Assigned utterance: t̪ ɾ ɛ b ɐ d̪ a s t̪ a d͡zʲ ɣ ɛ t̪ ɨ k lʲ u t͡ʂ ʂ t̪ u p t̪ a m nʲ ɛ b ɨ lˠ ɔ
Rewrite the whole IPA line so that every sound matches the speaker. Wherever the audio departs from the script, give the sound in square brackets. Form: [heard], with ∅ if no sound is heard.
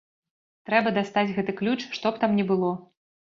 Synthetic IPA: t̪ ɾ ɛ b ɐ d̪ a s t̪ a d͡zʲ ɣ ɛ t̪ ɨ k lʲ u t͡ʂ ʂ t̪ [ɔ] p t̪ a m nʲ ɛ b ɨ lˠ ɔ